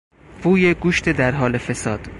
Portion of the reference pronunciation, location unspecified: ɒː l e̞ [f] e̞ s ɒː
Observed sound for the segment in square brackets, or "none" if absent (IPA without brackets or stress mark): f